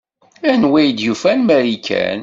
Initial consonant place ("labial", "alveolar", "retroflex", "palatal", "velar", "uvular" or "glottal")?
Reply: alveolar